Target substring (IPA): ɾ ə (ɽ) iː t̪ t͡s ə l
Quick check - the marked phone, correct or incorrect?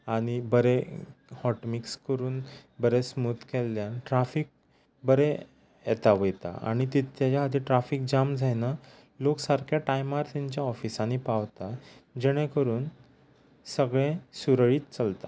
incorrect